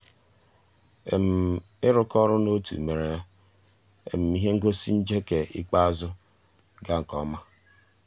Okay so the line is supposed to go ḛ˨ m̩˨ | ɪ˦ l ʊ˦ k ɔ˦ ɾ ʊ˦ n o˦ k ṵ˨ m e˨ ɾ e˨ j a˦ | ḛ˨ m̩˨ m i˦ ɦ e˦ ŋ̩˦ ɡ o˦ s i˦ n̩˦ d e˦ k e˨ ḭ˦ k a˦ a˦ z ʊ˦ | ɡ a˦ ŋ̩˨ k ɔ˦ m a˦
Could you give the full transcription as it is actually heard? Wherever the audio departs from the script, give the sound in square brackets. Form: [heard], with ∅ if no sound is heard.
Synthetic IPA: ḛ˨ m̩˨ | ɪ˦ [ɾ] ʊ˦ k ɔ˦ ɾ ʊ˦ n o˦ [t] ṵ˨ m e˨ ɾ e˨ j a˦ | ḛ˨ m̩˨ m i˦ ɦ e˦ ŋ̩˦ ɡ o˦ s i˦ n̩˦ [d͡ʒ] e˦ k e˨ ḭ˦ [k͡p] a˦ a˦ z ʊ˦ | ɡ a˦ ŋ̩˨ k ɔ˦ m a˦